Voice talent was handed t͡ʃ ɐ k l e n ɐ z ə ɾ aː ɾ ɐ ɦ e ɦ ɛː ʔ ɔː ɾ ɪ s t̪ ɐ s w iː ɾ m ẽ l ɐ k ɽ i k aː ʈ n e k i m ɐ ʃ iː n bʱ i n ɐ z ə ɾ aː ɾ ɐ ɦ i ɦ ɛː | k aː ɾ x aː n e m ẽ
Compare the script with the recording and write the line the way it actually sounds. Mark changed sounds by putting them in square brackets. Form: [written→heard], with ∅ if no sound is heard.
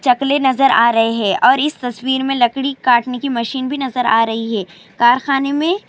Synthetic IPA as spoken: t͡ʃ ɐ k l e n ɐ z ə ɾ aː ɾ ɐ ɦ e ɦ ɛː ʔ ɔː ɾ ɪ s t̪ ɐ s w iː ɾ m ẽ l ɐ k ɽ i k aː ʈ n e k i m ɐ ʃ iː n bʱ i n ɐ z ə ɾ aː ɾ ɐ ɦ i ɦ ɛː | k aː ɾ x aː n e m ẽ